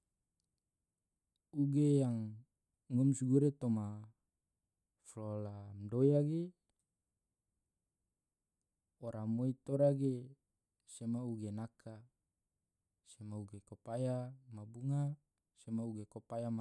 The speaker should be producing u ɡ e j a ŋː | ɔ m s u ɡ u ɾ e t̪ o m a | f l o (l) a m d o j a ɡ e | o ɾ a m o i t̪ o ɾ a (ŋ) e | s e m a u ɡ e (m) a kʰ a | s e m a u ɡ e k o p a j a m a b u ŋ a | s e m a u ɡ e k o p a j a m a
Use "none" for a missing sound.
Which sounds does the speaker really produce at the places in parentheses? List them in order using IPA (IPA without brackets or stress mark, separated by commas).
l, ɡ, n